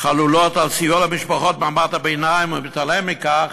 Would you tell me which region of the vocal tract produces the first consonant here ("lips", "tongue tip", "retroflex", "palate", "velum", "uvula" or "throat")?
uvula